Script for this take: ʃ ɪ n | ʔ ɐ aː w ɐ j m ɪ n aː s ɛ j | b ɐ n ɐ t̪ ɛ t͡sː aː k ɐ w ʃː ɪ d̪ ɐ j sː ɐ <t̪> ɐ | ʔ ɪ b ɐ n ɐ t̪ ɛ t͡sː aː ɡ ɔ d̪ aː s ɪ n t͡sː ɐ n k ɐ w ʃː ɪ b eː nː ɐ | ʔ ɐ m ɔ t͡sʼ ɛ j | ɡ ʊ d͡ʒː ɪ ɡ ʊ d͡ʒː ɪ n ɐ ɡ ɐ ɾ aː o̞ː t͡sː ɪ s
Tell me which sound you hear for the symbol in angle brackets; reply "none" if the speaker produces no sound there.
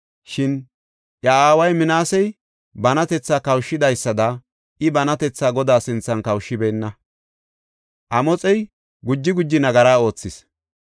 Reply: d̪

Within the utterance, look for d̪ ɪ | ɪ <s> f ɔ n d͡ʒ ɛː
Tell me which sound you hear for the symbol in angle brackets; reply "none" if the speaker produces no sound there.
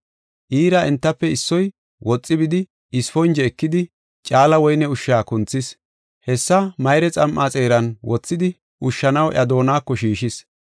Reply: s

